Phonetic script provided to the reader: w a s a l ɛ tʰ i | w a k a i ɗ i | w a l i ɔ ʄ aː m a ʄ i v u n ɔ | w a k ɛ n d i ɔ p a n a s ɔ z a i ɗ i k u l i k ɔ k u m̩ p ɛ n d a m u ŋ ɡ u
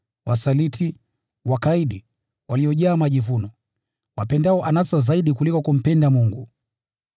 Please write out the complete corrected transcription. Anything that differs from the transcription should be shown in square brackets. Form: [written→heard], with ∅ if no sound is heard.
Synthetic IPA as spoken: w a s a l [ɛ→i] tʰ i | w a k a i ɗ i | w a l i ɔ ʄ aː m a ʄ i v u n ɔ | w a [k→p] ɛ n d [i→a] ɔ [p→ʔ] a n a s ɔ z a i ɗ i k u l i k ɔ k u m̩ p ɛ n d a m u ŋ ɡ u

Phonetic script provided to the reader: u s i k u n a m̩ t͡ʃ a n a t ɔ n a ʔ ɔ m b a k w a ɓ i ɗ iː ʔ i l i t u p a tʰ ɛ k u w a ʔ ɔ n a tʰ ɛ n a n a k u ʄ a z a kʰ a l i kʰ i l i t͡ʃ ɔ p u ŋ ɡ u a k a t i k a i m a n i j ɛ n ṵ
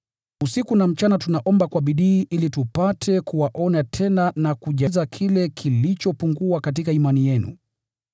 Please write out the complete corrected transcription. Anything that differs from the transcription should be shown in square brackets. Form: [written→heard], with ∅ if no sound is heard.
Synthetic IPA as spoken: u s i k u n a m̩ t͡ʃ a n a t [ɔ→u] n a ʔ ɔ m b a k w a ɓ i ɗ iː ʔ i l i t u p a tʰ ɛ k u w a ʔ ɔ n a tʰ ɛ n a n a k u ʄ a z a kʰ [a→i] l [i→ɛ] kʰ i l i t͡ʃ ɔ p u ŋ ɡ u a k a t i k a i m a n i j ɛ n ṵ

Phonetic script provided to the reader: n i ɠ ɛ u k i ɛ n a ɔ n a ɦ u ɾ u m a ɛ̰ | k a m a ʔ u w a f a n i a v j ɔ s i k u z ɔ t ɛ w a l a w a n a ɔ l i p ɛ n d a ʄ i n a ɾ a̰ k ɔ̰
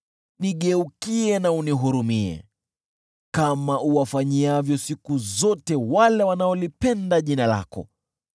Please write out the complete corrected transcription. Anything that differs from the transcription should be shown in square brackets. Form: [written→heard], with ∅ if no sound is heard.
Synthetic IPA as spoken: n i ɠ ɛ u k i ɛ n a [ɔ→u] n [a→i] ɦ u ɾ u m [a→i] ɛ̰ | k a m a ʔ u w a f a [n→ɲ] i a v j ɔ s i k u z ɔ t ɛ w a l [a→ɛ] w a n a ɔ l i p ɛ n d a ʄ i n a [ɾ→l] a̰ k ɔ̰

